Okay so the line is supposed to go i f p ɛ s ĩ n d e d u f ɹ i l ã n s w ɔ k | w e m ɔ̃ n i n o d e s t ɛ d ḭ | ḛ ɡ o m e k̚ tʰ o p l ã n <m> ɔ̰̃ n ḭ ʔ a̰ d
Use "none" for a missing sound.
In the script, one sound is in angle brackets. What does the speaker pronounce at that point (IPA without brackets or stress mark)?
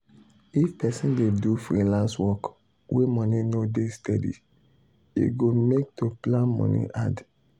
m